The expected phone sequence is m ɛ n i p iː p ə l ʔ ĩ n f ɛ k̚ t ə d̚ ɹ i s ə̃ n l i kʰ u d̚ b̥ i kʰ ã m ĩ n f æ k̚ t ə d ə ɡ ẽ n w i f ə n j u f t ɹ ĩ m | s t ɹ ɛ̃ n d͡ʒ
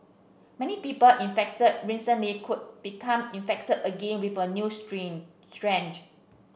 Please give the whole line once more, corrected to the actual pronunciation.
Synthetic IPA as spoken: m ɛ n i p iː p ə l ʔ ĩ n f ɛ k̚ t ə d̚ ɹ i s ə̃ n l i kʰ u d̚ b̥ i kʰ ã m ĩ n f ɛ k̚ t ə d ə ɡ ẽ n w i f ə n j u s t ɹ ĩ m | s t ɹ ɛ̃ n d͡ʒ